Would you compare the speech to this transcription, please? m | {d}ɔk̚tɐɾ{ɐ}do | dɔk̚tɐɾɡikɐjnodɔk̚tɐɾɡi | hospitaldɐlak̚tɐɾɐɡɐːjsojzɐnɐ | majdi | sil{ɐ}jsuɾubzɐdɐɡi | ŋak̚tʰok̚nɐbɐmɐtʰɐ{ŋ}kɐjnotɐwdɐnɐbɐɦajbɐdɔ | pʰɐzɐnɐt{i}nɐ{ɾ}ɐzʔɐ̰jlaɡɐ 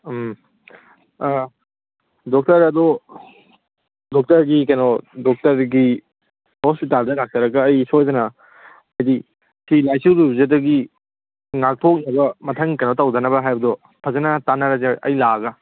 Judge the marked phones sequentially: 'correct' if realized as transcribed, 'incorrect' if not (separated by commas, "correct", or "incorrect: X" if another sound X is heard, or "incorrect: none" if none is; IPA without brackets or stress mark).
correct, correct, incorrect: a, correct, incorrect: a, correct